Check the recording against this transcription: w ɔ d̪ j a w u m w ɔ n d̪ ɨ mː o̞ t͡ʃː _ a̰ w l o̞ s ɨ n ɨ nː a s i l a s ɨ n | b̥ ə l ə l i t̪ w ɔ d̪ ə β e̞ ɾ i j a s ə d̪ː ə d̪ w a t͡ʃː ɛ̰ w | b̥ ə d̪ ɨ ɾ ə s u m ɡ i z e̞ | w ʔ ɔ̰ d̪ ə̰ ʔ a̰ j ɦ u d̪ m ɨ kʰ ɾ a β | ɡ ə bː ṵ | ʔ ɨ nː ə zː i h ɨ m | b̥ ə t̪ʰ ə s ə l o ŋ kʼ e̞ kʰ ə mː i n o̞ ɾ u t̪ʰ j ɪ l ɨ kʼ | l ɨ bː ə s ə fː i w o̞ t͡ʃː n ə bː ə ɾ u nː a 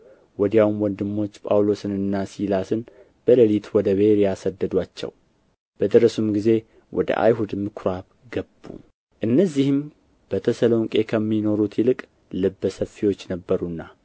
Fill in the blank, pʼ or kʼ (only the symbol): pʼ